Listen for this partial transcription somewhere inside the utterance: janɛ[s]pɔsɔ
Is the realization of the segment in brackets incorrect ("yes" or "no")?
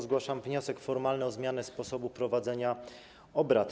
no